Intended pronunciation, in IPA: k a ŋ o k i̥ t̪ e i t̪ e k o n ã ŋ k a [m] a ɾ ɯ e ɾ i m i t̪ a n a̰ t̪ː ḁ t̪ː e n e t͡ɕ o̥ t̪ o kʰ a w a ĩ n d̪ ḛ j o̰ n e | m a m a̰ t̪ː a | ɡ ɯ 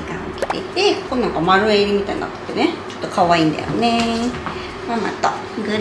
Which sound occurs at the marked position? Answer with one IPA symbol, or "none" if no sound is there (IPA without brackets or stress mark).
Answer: m